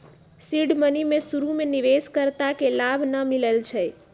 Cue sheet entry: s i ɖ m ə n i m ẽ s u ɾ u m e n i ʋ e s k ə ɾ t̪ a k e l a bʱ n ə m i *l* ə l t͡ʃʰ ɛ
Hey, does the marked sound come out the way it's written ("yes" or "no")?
yes